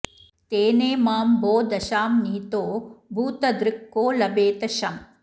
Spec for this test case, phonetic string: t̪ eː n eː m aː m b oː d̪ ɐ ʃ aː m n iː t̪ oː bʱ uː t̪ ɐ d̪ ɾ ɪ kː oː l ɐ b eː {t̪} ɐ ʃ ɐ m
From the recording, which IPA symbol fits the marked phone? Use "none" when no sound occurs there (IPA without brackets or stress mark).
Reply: t̪